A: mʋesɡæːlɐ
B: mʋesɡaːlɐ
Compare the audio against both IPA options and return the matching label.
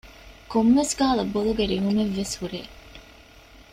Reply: B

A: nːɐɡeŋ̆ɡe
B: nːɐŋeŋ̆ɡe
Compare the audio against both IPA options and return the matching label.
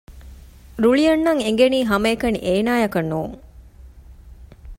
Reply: B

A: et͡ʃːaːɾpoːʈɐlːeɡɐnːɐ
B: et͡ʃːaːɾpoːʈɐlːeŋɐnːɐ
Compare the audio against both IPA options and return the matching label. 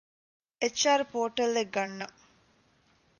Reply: A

